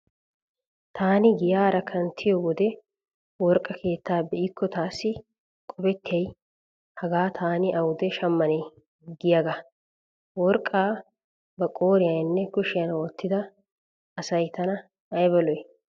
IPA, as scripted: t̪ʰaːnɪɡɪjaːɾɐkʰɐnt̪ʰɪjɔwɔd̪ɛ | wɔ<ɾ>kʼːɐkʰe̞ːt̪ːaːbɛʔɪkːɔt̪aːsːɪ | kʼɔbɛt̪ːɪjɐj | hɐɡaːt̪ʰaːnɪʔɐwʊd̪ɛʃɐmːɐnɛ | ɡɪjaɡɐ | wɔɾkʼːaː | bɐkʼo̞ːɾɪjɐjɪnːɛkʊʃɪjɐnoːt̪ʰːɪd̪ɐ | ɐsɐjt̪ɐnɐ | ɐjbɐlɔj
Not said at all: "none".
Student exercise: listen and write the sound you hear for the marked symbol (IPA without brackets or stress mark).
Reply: ɾ